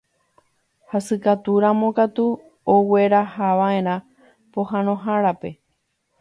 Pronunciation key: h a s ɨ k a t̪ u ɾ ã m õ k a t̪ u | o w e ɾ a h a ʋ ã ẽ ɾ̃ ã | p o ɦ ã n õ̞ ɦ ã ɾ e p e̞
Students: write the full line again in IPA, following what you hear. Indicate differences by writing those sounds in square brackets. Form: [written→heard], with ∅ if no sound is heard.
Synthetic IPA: h a s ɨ k a t̪ u ɾ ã m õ k a t̪ u | o w e ɾ a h a ʋ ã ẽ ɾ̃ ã | p o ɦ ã n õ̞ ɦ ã ɾ [e→a] p e̞

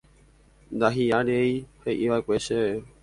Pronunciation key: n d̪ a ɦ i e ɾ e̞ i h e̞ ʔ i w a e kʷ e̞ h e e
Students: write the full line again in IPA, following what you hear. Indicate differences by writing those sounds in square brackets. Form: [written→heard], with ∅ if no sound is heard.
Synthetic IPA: n d̪ a ɦ i [e→a] ɾ e̞ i h e̞ ʔ i [w→ʋ] a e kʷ e̞ [h→ʃ] e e

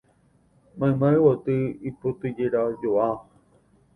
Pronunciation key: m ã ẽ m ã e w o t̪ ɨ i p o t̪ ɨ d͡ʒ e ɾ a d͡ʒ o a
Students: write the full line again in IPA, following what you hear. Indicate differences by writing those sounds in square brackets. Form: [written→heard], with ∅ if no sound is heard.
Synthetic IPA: m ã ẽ m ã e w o t̪ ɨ i p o t̪ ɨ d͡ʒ e ɾ a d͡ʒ o a

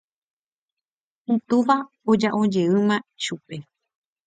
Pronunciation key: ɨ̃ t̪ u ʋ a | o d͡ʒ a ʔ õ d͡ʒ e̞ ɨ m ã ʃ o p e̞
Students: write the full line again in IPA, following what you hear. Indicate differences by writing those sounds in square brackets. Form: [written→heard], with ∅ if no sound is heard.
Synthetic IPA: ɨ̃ t̪ u ʋ a | o d͡ʒ a ʔ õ d͡ʒ e̞ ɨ m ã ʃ [o→u] p e̞

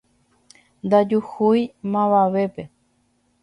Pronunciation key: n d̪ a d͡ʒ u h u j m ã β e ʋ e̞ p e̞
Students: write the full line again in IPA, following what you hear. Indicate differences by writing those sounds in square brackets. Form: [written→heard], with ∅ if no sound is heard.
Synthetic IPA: n d̪ a d͡ʒ u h u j m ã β [e→a] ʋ e̞ p e̞

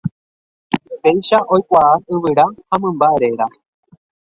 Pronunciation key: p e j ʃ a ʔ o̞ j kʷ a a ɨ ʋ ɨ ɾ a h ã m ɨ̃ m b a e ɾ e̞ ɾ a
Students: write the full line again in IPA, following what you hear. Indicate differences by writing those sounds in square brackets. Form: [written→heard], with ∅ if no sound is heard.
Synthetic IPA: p e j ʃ a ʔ o̞ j kʷ a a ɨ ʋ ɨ ɾ a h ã m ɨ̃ m b a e ɾ e̞ ɾ a

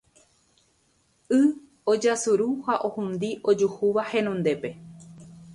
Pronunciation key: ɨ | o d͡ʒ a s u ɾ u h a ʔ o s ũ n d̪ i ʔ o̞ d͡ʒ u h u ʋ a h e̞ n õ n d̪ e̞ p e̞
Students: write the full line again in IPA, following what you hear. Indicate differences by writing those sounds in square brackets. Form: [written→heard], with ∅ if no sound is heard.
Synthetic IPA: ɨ | o d͡ʒ a s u ɾ u h a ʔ o [s→h] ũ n d̪ i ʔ o̞ d͡ʒ u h u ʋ a h e̞ n õ n d̪ e̞ p e̞

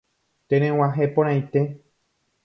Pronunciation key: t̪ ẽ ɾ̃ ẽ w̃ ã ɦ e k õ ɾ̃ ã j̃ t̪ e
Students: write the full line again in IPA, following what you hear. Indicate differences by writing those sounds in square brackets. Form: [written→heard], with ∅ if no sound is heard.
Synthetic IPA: t̪ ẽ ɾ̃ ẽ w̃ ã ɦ e [k→p] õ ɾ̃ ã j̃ t̪ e

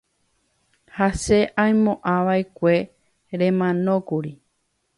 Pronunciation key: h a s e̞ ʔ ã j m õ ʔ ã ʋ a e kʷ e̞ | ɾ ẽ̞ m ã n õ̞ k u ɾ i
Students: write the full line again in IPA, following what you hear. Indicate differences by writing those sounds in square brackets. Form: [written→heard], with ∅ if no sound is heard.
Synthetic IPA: h a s e̞ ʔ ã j m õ ʔ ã ʋ a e kʷ e̞ | ɾ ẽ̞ m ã n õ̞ k u ɾ i

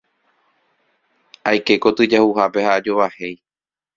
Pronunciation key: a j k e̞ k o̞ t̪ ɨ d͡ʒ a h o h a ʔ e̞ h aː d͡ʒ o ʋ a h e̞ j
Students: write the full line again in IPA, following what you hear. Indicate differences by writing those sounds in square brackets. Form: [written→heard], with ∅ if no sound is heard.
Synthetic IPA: a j k e̞ k o̞ t̪ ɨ d͡ʒ a h [o→u] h a [ʔ→p] e̞ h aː d͡ʒ o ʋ a h e̞ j

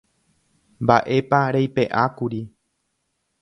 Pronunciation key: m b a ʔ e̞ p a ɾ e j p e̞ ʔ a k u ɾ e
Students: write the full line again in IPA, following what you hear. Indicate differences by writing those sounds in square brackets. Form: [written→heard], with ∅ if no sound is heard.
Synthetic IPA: m b a ʔ e̞ p a ɾ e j p e̞ ʔ a k u ɾ [e→i]

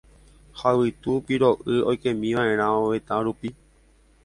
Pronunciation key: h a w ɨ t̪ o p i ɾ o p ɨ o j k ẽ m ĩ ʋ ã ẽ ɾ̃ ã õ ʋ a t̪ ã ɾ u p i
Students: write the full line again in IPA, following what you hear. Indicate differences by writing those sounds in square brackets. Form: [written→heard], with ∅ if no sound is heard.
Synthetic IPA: h a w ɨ t̪ [o→u] p i ɾ o [p→ʔ] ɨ o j k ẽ m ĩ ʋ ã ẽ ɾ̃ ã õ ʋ [a→e] t̪ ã ɾ u p i

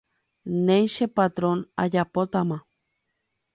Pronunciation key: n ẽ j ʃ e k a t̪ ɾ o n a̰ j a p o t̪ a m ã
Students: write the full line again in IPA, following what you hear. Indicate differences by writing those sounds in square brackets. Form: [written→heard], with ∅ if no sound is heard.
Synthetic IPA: n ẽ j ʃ e [k→p] a t̪ ɾ o n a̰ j a p o t̪ a m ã

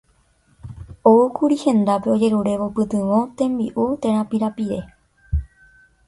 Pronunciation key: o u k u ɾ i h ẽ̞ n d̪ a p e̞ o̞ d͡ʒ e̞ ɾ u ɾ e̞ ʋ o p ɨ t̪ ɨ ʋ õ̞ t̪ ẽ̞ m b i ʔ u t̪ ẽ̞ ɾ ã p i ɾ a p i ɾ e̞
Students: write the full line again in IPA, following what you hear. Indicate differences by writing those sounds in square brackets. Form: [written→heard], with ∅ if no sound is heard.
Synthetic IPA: o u k u ɾ i h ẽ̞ n d̪ a p e̞ o̞ d͡ʒ e̞ ɾ u ɾ e̞ ʋ o p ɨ t̪ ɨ ʋ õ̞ t̪ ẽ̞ m b i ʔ u t̪ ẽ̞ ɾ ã p i ɾ a p i ɾ e̞

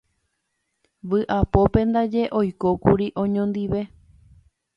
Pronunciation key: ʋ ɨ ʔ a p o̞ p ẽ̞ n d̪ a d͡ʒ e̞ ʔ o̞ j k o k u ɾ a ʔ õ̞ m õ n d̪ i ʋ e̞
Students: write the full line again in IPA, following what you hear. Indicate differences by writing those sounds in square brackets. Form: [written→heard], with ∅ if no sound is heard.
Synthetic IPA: ʋ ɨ ʔ a p o̞ p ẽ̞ n d̪ a d͡ʒ e̞ ʔ o̞ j k o k u ɾ [a→i] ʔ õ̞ [m→ɲ] õ n d̪ i ʋ e̞

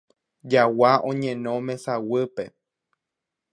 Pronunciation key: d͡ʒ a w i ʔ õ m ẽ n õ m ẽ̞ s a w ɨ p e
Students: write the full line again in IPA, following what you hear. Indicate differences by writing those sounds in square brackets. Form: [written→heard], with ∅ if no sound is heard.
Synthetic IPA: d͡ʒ a w [i→a] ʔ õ [m→ɲ] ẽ n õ m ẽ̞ s a w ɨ p e

